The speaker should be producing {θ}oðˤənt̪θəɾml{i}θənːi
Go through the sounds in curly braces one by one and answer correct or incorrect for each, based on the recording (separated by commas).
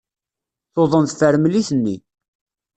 correct, correct